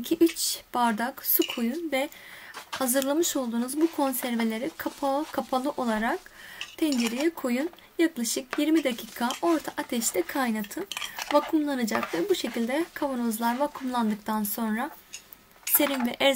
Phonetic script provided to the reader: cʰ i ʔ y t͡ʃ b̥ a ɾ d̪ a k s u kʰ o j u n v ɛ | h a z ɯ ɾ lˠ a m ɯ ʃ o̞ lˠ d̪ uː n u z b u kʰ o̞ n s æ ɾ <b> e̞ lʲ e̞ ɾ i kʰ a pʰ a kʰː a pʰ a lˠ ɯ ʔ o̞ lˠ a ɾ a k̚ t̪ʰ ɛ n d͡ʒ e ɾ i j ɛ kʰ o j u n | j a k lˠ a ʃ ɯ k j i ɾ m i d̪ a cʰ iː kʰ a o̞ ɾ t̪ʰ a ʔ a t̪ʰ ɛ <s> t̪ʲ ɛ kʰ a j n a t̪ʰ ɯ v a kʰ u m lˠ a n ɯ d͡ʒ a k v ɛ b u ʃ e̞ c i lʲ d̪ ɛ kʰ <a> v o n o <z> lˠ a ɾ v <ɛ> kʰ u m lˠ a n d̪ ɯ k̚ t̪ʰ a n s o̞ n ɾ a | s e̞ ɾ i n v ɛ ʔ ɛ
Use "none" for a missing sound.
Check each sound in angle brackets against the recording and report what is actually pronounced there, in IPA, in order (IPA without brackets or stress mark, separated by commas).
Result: v, ʃ, a, z, a